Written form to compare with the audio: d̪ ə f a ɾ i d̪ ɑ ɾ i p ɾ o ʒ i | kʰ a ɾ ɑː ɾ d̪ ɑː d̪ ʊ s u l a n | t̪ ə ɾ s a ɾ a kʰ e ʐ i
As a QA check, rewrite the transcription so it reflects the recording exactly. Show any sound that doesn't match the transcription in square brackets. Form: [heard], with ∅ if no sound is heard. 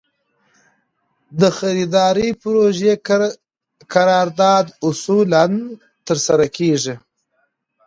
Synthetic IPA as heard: d̪ ə [x] a ɾ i d̪ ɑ ɾ i p ɾ o ʒ [e] | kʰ a ɾ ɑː ɾ d̪ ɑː d̪ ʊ s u l a n | t̪ ə ɾ s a ɾ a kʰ e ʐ i